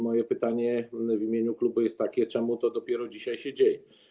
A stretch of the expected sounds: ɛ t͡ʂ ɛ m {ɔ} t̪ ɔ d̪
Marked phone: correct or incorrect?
incorrect